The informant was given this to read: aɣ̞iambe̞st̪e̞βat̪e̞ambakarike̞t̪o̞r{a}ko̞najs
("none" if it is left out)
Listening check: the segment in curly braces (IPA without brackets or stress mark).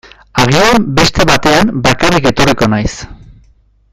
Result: i